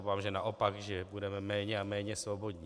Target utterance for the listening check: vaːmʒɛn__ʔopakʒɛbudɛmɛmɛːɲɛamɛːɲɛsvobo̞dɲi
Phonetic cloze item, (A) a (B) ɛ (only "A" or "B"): A